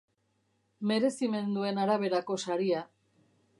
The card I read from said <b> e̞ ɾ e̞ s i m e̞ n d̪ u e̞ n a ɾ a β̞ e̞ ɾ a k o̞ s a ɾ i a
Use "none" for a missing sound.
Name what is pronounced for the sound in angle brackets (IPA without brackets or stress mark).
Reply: m